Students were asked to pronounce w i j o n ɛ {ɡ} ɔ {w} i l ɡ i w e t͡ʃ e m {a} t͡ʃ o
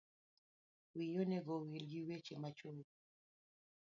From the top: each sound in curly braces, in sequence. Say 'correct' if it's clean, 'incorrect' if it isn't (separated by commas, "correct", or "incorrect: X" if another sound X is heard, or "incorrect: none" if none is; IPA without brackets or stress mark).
correct, correct, correct